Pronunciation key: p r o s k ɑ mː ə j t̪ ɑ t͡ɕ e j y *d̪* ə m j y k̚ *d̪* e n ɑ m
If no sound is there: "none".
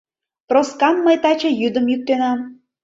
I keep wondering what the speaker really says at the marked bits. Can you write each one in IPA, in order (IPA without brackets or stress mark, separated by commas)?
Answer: d̪, t̪